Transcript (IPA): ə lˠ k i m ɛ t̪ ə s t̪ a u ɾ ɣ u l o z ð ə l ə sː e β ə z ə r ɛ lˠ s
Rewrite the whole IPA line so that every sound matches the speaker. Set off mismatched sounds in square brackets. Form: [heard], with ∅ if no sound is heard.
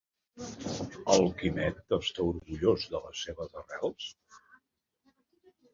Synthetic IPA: ə lˠ k i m ɛ t̪ ə s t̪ a u ɾ ɣ u [ʎ] o z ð ə l ə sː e β ə z ə r ɛ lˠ s